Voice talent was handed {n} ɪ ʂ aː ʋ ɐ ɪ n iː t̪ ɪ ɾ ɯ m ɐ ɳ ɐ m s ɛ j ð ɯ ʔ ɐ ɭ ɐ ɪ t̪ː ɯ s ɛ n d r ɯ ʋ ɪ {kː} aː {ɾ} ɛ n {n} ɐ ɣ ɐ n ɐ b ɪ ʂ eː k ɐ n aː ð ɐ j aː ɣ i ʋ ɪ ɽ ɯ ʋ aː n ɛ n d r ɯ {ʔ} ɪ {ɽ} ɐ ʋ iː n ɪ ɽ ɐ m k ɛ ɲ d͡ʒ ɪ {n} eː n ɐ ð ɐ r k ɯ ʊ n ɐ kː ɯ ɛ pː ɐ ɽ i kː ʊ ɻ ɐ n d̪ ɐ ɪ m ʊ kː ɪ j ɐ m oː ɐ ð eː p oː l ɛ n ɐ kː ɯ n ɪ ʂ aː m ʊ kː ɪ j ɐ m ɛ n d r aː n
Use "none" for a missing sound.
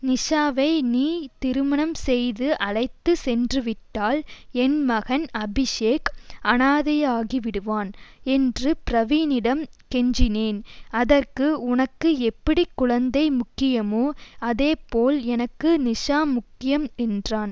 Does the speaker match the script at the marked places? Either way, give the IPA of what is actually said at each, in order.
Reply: n, ʈː, l, m, p, ɾ, n

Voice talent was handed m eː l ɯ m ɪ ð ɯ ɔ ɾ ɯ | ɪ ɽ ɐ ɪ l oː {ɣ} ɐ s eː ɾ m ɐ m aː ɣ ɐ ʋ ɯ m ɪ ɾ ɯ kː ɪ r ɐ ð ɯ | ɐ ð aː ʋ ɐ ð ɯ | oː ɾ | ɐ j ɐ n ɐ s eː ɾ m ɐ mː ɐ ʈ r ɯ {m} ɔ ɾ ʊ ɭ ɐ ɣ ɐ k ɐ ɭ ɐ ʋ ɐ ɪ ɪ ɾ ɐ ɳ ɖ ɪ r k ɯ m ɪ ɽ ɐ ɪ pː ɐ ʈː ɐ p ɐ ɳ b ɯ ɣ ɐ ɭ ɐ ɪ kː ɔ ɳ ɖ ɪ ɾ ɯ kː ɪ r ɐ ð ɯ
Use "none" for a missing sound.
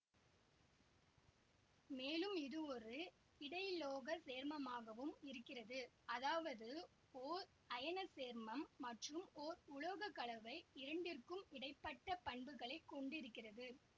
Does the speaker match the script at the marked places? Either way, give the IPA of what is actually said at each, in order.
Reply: ɣ, m

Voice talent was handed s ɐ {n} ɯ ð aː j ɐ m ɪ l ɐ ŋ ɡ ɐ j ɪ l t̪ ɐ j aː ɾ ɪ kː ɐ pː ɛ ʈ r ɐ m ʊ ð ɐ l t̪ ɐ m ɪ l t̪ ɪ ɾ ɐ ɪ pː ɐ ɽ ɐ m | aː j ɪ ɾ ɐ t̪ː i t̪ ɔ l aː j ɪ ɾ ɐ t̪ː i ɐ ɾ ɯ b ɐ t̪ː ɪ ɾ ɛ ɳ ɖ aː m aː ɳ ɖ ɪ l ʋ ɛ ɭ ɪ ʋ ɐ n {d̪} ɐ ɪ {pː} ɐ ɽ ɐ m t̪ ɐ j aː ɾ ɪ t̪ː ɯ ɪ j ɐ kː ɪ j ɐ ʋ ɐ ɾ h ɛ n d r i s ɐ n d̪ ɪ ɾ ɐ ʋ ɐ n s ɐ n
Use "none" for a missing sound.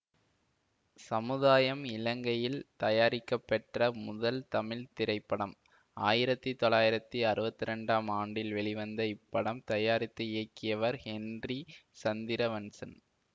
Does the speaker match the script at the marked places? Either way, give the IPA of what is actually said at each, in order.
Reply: m, d̪, pː

